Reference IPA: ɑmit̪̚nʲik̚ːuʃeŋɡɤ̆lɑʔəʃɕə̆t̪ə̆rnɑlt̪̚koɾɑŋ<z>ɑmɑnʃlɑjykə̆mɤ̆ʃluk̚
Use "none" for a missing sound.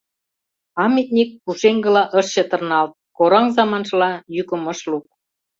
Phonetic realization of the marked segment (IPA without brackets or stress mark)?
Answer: z